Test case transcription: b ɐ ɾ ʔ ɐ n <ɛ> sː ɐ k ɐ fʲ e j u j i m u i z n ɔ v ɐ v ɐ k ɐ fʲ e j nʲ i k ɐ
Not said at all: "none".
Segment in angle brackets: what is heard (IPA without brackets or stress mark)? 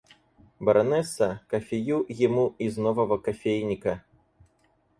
ɛ